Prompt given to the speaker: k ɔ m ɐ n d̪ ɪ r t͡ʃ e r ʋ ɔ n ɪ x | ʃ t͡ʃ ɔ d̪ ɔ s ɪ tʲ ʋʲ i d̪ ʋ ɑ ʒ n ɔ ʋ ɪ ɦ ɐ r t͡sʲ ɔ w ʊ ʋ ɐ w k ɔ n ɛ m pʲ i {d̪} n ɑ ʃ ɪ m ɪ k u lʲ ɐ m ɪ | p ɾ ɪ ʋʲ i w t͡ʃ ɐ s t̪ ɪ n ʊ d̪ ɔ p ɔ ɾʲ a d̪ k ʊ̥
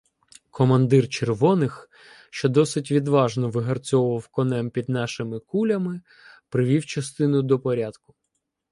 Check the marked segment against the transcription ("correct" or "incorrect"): correct